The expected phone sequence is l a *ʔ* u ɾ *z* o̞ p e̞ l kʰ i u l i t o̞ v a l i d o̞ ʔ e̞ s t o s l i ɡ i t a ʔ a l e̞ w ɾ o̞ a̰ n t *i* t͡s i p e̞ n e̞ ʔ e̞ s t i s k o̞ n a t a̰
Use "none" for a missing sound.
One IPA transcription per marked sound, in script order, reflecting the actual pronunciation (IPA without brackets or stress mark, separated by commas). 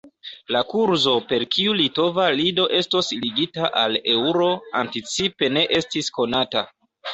k, z, i